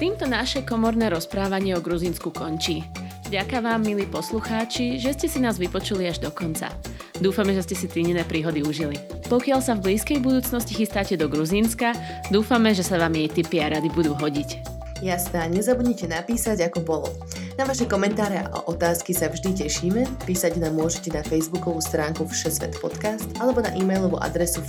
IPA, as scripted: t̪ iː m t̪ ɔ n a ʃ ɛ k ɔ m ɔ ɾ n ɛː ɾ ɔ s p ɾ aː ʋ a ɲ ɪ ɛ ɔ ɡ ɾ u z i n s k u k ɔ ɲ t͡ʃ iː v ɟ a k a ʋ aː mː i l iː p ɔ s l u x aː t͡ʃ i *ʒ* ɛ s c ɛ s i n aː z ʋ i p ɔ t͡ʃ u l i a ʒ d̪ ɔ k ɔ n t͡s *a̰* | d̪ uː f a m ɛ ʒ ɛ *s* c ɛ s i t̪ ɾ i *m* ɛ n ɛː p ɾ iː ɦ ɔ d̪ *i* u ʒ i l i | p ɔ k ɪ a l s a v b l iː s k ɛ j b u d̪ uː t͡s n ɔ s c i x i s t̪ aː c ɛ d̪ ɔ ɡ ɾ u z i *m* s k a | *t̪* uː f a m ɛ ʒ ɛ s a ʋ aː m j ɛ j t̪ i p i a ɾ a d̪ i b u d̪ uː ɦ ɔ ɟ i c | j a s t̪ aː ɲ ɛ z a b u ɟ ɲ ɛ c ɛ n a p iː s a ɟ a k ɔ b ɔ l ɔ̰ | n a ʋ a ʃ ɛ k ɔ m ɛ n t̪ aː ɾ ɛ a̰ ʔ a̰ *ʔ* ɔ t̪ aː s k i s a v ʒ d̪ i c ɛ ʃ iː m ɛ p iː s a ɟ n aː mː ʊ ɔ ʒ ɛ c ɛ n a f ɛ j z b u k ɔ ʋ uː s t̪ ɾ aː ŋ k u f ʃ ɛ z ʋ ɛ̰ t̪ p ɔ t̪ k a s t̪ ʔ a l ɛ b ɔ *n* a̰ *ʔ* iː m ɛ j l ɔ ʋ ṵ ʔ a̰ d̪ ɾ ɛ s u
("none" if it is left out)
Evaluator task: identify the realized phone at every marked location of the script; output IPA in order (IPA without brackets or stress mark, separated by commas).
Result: ʒ, a̰, s, ɲ, i, n, d̪, ʔ, n, ʔ